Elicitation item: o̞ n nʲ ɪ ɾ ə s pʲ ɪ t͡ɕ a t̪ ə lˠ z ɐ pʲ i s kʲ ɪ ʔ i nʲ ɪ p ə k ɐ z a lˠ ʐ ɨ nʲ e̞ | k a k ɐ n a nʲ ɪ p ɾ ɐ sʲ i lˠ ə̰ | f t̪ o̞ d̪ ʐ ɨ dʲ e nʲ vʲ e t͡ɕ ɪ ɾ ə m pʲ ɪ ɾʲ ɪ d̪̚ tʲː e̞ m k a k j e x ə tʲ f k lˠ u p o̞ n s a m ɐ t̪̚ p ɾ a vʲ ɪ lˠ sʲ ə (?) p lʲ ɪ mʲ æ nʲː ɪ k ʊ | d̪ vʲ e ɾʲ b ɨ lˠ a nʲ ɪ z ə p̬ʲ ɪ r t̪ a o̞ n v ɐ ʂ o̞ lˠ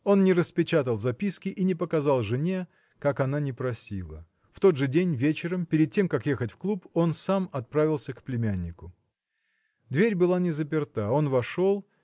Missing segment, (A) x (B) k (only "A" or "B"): B